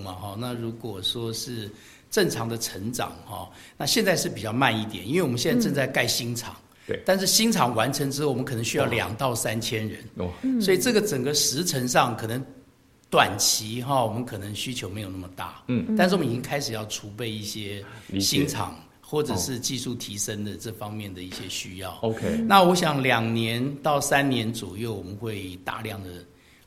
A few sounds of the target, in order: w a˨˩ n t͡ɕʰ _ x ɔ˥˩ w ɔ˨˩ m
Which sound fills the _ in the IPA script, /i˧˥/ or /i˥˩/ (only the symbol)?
i˧˥